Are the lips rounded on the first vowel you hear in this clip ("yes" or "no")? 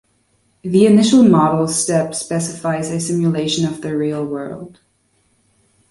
no